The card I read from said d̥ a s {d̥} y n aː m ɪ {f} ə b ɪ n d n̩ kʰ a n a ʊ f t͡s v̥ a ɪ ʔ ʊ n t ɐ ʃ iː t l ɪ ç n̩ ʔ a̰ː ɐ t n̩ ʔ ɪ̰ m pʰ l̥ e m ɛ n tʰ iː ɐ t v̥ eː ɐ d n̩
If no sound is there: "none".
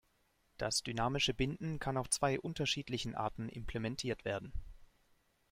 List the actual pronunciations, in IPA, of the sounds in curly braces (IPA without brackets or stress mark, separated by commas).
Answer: d̥, ʃ